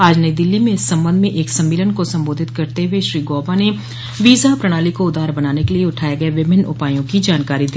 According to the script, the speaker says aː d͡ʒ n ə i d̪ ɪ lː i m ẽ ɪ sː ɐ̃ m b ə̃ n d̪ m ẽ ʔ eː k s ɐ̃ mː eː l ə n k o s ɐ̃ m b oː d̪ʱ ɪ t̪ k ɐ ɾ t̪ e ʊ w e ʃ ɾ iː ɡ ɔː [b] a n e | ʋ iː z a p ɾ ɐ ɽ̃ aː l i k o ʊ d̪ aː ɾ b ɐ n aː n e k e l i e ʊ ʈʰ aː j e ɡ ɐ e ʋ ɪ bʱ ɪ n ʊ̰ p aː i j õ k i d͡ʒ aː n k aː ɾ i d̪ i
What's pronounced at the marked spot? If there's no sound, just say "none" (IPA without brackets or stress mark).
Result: b